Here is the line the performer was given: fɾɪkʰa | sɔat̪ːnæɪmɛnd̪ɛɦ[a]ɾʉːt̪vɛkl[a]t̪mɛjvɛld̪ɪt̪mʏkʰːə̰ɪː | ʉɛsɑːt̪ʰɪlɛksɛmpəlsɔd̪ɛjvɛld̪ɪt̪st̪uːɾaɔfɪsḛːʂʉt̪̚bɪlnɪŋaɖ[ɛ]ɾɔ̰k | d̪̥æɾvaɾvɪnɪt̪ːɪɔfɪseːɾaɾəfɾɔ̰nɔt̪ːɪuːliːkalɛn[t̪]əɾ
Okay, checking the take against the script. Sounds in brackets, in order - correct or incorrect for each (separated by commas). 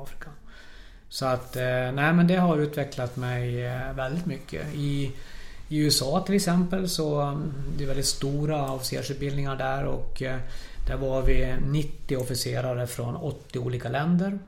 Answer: correct, correct, incorrect, incorrect